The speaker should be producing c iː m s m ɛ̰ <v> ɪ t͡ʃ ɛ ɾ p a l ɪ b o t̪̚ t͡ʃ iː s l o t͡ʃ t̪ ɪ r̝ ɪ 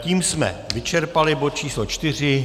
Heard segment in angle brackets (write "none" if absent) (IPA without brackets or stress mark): v